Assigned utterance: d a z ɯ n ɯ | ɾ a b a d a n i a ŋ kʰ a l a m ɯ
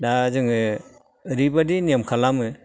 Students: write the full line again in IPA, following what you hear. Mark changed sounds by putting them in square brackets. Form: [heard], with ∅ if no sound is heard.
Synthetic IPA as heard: d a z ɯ [ŋ] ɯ | ɾ [i] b a d [i] n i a [m] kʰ a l a m ɯ